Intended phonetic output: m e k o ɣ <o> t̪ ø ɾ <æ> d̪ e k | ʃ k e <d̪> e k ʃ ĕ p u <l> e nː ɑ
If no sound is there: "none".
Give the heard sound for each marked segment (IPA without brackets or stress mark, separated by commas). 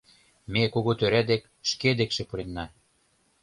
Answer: o, æ, d̪, ɾ